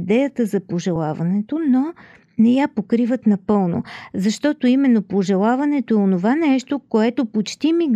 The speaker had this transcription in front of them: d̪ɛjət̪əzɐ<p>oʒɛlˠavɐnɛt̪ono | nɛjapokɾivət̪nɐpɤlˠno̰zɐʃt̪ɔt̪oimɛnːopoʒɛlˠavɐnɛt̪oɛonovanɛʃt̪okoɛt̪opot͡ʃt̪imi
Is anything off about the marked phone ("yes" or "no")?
no